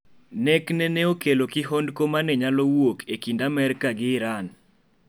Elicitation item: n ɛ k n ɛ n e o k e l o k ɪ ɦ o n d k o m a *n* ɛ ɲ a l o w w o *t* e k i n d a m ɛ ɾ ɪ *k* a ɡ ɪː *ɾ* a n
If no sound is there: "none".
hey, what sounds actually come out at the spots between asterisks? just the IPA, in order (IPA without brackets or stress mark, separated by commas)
n, k, k, ɾ